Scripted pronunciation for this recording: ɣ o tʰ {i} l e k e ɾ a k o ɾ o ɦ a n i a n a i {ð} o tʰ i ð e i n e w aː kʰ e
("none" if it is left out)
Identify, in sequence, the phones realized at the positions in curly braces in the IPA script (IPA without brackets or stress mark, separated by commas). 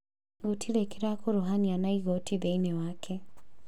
i, ɣ